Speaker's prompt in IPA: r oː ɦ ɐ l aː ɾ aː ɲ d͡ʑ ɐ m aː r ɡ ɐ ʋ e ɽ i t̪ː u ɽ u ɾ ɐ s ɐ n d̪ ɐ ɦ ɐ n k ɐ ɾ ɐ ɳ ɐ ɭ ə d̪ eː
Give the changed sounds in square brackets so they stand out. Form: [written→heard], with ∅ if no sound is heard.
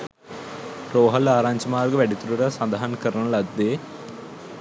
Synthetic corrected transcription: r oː ɦ ɐ l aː ɾ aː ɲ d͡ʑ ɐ m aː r ɡ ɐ ʋ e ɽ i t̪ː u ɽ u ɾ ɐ s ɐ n d̪ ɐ ɦ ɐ n k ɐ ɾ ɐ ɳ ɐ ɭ [ə→ɐ] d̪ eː